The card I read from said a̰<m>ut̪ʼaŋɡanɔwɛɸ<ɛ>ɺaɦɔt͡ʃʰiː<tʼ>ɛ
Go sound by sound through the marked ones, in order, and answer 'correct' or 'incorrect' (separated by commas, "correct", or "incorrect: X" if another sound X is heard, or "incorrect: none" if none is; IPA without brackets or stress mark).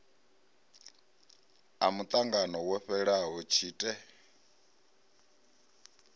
correct, correct, correct